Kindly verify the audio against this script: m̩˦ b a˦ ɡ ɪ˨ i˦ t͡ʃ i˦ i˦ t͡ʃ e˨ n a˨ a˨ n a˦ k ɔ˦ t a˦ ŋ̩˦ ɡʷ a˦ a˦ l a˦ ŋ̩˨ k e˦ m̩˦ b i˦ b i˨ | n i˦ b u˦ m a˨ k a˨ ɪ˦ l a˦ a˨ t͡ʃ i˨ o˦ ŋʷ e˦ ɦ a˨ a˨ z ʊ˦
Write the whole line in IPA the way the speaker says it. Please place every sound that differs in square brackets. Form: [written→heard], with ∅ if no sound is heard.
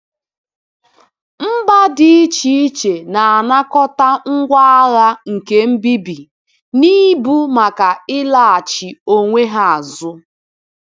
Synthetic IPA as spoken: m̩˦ b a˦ [ɡ→d] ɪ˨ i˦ t͡ʃ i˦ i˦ t͡ʃ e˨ n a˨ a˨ n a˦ k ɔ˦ t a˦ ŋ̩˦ ɡʷ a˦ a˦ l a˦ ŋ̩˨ k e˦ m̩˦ b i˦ b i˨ | n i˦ b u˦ m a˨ k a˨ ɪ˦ l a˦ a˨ t͡ʃ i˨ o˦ ŋʷ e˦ ɦ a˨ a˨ z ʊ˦